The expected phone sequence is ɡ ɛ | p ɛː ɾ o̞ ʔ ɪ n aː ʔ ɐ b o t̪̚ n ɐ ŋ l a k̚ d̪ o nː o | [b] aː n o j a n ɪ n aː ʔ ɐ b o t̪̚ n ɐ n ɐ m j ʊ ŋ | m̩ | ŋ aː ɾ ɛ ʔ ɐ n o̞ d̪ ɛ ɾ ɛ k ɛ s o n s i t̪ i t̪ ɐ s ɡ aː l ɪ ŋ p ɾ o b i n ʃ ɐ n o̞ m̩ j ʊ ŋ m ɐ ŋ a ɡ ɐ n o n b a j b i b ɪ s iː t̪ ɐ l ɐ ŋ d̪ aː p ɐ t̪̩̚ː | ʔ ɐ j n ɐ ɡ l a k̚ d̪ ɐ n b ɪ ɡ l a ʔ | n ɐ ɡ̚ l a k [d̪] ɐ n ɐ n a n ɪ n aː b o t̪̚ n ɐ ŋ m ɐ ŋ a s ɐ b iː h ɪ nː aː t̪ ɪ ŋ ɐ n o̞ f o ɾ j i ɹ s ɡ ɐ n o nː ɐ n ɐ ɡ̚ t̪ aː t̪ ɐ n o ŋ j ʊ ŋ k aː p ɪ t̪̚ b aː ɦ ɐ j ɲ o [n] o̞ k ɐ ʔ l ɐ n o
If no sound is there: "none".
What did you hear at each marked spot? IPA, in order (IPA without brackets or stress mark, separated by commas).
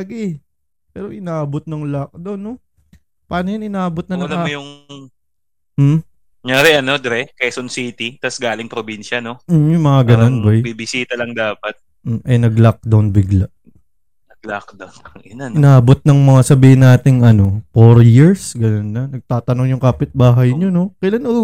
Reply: p, d̪, n